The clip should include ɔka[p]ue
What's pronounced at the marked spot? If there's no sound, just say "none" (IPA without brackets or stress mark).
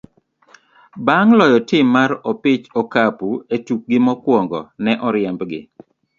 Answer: p